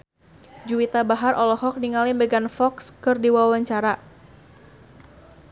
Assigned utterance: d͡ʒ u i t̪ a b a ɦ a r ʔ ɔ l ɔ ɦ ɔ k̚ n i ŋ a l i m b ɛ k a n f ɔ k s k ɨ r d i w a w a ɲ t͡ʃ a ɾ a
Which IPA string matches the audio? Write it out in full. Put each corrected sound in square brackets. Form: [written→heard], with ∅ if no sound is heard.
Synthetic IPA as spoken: d͡ʒ u i t̪ a b a ɦ a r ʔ ɔ l ɔ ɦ ɔ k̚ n i ŋ a l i m b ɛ [k→ɡ] a n f ɔ k s k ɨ r d i w a w a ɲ t͡ʃ a ɾ a